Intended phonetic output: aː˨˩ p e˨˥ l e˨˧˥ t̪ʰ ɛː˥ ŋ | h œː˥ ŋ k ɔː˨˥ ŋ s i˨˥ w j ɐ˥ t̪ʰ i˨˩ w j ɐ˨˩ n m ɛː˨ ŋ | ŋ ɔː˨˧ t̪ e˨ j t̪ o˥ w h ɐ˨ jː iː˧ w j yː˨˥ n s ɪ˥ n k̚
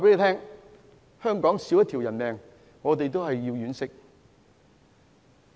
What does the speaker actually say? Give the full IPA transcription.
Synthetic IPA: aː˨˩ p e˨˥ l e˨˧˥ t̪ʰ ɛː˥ ŋ | h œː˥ ŋ k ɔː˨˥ ŋ s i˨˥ w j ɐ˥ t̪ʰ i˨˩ w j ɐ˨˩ n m ɛː˨ ŋ | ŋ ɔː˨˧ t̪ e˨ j t̪ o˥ w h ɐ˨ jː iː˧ w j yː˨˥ n s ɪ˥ k̚